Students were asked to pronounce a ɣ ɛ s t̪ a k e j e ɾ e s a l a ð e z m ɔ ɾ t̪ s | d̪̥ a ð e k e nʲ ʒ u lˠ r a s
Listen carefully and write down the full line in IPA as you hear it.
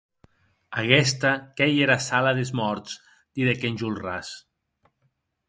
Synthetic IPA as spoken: a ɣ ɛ s t̪ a k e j e ɾ a s a l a ð e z m ɔ ɾ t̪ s | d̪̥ i ð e k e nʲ ʒ u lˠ r a s